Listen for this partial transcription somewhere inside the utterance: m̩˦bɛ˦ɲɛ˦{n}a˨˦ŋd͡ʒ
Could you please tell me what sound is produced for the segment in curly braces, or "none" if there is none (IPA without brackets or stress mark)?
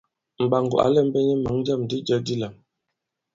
m